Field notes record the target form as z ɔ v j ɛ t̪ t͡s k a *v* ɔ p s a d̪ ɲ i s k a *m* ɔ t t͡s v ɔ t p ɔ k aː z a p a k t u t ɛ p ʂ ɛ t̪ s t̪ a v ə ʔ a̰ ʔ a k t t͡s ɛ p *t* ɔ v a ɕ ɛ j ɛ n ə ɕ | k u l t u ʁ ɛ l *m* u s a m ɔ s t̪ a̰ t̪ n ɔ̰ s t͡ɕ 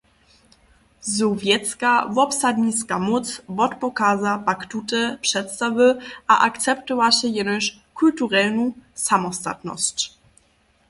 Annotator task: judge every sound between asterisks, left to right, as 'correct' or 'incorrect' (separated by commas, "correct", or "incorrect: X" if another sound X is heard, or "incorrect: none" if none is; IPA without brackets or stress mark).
correct, correct, correct, incorrect: n